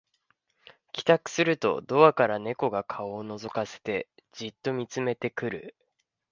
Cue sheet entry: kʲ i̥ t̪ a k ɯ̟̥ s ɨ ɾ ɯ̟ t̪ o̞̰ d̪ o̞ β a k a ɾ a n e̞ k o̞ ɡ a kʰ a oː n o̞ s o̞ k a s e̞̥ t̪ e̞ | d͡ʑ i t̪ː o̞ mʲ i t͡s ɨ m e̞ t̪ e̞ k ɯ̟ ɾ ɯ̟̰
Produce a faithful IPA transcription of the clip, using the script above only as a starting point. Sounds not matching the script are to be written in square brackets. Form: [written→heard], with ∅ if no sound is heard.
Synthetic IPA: kʲ i̥ t̪ a k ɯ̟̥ s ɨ ɾ ɯ̟ t̪ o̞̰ d̪ o̞ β a k a ɾ a n e̞ k o̞ ɡ a kʰ a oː n o̞ [s→z] o̞ k a s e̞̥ t̪ e̞ | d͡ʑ i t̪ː o̞ mʲ i t͡s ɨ m e̞ t̪ e̞ k ɯ̟ ɾ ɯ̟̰